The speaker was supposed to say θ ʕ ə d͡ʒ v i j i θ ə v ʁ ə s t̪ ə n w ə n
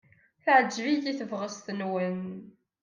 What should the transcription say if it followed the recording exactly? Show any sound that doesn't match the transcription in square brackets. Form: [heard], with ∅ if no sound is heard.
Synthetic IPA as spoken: θ ʕ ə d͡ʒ v i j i θ ə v ʁ ə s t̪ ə n w ə n